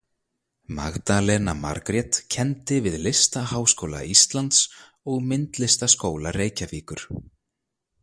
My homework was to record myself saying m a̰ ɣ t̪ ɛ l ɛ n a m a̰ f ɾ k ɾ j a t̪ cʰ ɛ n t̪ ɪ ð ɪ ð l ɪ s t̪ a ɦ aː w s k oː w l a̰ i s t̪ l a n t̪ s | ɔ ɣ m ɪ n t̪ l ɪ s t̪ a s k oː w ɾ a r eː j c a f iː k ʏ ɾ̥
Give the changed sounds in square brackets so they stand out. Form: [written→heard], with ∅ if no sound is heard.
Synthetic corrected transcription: m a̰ ɣ t̪ [ɛ→a] l ɛ n a m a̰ [f→∅] ɾ k ɾ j [a→ɛ] t̪ cʰ ɛ n t̪ ɪ [ð→v] ɪ ð l ɪ s t̪ a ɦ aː w s k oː w l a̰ i s t̪ l a n t̪ s | ɔ ɣ m ɪ n t̪ l ɪ s t̪ a s k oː w [ɾ→l] a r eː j c a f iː k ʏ ɾ̥